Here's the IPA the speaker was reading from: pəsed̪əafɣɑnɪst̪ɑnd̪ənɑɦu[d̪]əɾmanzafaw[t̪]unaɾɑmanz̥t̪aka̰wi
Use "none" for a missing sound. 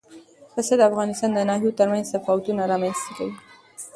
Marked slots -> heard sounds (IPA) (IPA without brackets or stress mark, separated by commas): t̪, t̪